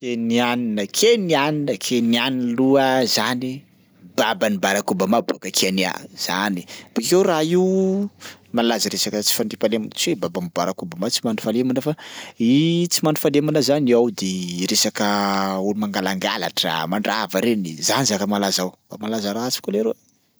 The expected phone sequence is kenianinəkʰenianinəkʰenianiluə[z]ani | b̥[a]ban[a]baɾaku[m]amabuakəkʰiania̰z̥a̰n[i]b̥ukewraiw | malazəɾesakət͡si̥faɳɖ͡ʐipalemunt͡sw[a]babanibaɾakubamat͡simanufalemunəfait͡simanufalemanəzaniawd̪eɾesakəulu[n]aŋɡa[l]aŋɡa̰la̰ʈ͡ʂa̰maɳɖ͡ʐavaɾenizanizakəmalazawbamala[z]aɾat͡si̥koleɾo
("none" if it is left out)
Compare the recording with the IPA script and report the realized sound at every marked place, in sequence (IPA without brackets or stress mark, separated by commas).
z, a, i, b, i, e, m, l, z